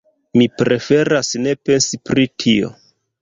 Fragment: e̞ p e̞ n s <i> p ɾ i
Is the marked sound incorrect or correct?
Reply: correct